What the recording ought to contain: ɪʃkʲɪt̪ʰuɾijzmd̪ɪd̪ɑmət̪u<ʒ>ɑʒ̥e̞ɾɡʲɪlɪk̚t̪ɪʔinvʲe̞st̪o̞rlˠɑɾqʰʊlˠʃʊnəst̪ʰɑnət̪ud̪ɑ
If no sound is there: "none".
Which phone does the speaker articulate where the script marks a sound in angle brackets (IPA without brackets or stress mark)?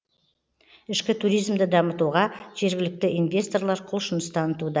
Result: ʁ